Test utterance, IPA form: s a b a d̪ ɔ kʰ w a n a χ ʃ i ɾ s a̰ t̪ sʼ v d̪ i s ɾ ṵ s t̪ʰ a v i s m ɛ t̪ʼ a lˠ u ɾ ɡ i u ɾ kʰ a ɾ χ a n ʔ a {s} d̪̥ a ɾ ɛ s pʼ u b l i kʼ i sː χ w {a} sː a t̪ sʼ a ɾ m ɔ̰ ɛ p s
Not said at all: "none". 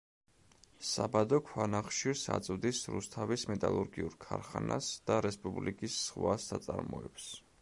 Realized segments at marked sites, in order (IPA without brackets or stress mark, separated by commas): s, a